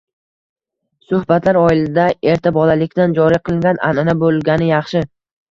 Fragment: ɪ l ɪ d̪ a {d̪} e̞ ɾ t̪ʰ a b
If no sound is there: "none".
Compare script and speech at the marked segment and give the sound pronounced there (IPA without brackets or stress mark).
none